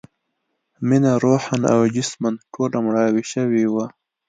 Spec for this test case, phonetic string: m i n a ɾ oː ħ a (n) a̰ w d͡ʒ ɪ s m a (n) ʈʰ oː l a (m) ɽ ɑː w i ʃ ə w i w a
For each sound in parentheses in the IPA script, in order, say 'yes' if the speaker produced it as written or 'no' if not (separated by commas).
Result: yes, yes, yes